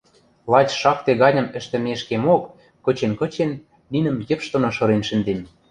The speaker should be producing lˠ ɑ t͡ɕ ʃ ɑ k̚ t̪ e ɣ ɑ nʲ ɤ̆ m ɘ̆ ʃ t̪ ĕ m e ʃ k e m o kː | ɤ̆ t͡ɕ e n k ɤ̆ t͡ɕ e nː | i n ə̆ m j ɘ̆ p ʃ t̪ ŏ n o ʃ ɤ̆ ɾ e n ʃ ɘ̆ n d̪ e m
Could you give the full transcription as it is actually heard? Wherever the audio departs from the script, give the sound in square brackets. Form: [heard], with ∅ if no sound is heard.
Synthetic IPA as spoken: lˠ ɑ t͡ɕ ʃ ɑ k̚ t̪ e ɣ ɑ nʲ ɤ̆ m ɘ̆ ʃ t̪ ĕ m e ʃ k e m o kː | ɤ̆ t͡ɕ e n k ɤ̆ t͡ɕ e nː | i n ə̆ m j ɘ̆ p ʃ t̪ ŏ n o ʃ ɤ̆ ɾ e n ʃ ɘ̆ n d̪ e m